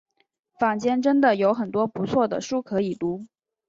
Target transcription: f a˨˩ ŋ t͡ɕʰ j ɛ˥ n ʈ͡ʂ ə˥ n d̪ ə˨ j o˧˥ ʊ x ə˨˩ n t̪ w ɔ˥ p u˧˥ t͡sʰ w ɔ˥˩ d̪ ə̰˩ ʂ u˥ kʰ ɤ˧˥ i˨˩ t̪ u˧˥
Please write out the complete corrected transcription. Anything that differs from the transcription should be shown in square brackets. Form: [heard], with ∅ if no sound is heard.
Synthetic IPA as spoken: f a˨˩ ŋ [t͡ɕ] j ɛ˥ n ʈ͡ʂ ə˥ n d̪ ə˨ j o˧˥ ʊ x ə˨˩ n t̪ w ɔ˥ p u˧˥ t͡sʰ w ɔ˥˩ d̪ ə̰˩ ʂ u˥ kʰ ɤ˧˥ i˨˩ t̪ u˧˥